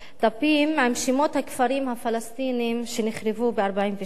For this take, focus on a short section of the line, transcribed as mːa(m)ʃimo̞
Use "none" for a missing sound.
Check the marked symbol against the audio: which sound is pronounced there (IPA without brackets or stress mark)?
m